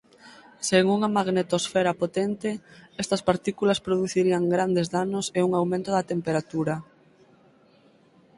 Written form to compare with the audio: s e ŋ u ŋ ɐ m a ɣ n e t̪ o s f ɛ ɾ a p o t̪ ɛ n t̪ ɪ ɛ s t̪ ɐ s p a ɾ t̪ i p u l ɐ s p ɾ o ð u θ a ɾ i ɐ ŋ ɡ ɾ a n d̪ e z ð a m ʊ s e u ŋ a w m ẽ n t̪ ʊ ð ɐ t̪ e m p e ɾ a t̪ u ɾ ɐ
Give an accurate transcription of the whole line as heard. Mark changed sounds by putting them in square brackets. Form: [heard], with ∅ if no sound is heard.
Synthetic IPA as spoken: s e ŋ u ŋ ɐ m a ɣ n e t̪ o s f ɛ ɾ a p o t̪ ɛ n t̪ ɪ ɛ s t̪ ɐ s p a ɾ t̪ i [k] u l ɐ s p ɾ o ð u θ [i] ɾ i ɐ ŋ ɡ ɾ a n d̪ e z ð a [n] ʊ s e u ŋ a w m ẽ n t̪ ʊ ð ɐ t̪ e m p e ɾ a t̪ u ɾ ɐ